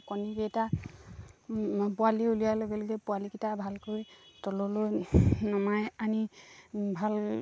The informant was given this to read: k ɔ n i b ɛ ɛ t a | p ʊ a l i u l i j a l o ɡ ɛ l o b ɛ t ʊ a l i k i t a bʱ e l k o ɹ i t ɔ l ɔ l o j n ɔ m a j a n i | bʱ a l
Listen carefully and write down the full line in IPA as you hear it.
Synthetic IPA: k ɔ n i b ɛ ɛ t a | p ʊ a l i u l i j a l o ɡ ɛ l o ɡ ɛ p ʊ a l i k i t a bʱ a l k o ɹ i t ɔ l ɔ l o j n ɔ m a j a n i | bʱ a l